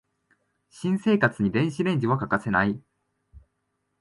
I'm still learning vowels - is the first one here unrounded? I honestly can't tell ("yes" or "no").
yes